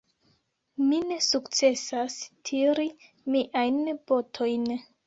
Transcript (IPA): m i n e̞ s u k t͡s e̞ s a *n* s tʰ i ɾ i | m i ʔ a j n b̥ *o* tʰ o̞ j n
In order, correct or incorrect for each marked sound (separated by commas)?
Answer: incorrect, correct